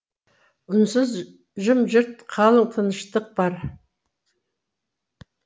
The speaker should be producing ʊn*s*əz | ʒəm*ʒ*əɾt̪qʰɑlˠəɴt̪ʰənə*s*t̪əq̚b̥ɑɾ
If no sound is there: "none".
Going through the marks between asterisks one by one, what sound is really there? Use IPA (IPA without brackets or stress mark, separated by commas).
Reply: s, ʒ, ʃ